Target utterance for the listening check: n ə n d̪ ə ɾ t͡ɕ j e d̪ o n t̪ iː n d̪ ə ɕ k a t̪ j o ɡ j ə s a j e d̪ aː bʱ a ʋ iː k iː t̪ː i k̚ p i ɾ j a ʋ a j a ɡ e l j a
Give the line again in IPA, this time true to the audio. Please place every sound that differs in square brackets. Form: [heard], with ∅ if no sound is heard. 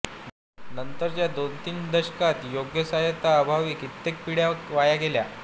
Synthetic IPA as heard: n ə n [t̪] ə ɾ t͡ɕ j [a] d̪ o n t̪ iː n d̪ ə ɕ k a t̪ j o ɡ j ə s a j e [t̪] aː bʱ a ʋ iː k [i] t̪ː [e] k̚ p i [ɽ] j a ʋ a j a ɡ e l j a